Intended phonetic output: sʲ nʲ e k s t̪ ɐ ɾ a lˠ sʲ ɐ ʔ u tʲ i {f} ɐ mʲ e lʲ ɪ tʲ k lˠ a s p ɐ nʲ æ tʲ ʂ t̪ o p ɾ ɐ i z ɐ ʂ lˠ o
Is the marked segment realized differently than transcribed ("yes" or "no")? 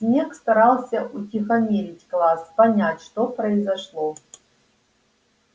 yes